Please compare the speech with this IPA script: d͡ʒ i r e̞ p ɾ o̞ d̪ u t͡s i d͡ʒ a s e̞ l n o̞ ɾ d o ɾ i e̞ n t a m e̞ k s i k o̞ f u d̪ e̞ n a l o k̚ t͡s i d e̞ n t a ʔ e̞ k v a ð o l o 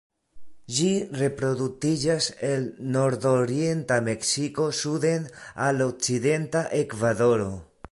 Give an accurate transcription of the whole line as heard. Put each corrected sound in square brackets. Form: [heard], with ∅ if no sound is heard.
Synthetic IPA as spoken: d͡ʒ i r e̞ p ɾ o̞ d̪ u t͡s i d͡ʒ a s e̞ l n o̞ ɾ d o ɾ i e̞ n t a m e̞ k s i k o̞ [s] u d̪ e̞ n a l o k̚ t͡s i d e̞ n t a ʔ e̞ k v a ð o [ɾ] o